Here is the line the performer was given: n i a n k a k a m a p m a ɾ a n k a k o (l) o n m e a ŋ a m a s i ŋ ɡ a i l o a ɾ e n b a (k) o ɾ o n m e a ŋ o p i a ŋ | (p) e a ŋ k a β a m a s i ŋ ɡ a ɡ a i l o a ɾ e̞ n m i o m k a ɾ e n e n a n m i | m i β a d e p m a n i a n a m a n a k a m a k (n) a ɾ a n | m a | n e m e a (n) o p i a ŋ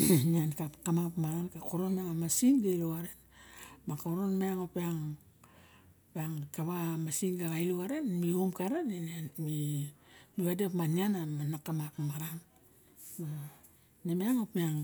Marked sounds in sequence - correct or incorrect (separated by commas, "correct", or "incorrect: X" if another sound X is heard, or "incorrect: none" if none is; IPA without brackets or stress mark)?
incorrect: ɾ, correct, correct, incorrect: m, incorrect: ŋ